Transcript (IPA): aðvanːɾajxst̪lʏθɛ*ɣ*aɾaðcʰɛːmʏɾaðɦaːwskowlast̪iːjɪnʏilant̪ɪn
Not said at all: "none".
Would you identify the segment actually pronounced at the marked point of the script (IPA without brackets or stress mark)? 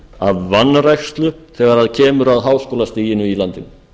ɣ